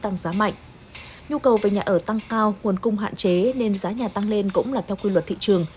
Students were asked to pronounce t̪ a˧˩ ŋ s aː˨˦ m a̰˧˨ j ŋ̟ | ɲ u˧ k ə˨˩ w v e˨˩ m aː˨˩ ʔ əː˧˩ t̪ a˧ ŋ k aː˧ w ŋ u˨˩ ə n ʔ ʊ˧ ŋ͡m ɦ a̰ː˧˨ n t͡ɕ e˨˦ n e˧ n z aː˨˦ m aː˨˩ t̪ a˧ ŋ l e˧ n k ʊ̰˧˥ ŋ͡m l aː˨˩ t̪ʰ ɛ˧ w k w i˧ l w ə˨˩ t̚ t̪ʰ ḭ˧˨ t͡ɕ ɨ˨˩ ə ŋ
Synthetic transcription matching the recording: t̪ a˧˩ ŋ z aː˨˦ m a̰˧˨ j ŋ̟ | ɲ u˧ k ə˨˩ w v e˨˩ ɲ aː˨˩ ʔ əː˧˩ t̪ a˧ ŋ k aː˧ w ŋ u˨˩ ə n k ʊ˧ ŋ͡m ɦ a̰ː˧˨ n t͡ɕ e˨˦ n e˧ n z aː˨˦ ɲ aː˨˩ t̪ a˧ ŋ l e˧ n k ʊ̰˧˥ ŋ͡m l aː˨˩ t̪ʰ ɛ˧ w k w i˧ l w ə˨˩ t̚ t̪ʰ ḭ˧˨ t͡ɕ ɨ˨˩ ə ŋ